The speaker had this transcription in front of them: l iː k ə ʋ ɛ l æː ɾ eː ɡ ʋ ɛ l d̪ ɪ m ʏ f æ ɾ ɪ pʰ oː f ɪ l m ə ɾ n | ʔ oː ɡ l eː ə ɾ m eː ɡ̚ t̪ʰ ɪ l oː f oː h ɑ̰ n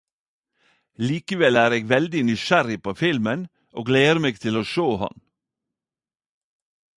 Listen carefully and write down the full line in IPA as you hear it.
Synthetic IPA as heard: l iː k ə ʋ ɛ l æː ɾ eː ɡ ʋ ɛ l d̪ ɪ n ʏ ʃ æ ɾ ɪ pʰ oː f ɪ l m ə n | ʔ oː ɡ l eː ə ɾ m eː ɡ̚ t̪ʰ ɪ l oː ʃ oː h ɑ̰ n